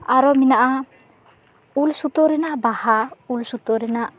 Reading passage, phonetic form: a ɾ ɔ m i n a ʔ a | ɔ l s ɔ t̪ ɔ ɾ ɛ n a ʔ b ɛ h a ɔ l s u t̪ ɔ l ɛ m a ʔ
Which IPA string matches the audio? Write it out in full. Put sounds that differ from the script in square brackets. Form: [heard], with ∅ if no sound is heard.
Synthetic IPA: a ɾ ɔ m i n a ʔ a | [u] l s [u] t̪ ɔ ɾ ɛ n a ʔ b [a] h a [u] l s u t̪ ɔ [ɾ] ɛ [n] a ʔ